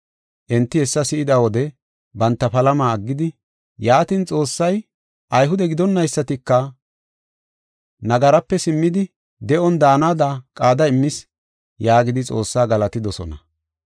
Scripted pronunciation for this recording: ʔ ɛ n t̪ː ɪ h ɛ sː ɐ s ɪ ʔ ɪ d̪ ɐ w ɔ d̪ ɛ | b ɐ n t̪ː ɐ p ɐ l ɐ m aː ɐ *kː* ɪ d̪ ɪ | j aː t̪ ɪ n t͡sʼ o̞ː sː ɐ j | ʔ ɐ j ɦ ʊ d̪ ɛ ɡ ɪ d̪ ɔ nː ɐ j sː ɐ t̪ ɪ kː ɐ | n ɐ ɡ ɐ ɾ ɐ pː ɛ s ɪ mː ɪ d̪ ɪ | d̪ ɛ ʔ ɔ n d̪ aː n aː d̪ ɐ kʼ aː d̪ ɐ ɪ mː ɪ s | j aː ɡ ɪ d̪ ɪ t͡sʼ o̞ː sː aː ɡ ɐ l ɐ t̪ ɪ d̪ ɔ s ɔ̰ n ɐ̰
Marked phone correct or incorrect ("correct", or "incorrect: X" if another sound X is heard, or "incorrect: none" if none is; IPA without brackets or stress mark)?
incorrect: ɡː